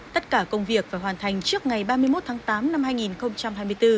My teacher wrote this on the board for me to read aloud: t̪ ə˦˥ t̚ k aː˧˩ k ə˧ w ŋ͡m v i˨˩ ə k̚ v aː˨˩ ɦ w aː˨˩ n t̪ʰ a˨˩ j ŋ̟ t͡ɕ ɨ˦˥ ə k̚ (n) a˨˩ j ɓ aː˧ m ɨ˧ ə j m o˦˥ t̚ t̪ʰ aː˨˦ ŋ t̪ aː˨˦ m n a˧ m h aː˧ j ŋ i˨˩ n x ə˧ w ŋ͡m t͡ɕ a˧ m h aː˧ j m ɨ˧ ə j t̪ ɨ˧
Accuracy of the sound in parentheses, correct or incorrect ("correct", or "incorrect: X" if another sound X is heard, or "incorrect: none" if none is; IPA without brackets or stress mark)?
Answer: incorrect: ŋ